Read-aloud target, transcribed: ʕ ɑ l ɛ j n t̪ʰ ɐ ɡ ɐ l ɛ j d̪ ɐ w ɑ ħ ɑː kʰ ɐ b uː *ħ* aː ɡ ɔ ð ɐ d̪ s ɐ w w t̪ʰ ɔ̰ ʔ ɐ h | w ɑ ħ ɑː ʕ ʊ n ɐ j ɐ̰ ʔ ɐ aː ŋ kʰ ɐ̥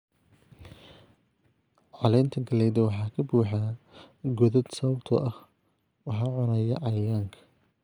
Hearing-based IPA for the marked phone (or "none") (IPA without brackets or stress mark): ħ